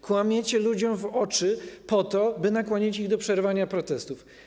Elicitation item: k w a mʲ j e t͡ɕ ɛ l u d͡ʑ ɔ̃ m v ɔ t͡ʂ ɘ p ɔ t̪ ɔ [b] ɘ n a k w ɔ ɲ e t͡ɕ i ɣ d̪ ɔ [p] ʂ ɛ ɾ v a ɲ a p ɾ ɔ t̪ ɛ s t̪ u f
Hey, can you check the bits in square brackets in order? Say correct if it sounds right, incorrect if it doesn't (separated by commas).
correct, correct